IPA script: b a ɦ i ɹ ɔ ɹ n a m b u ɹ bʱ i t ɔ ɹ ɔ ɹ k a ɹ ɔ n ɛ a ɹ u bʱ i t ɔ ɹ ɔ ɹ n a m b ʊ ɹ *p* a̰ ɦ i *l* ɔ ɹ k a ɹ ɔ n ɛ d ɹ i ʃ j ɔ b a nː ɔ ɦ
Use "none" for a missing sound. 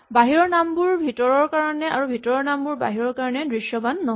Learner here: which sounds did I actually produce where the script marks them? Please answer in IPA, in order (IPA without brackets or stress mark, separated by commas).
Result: b, ɹ